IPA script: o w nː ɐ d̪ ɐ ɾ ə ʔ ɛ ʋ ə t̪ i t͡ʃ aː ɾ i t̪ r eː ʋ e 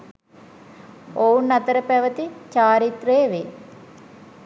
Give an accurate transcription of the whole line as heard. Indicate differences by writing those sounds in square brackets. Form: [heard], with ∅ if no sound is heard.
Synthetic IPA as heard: o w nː ɐ [t̪] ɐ ɾ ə [p] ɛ ʋ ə t̪ i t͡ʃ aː ɾ i t̪ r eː ʋ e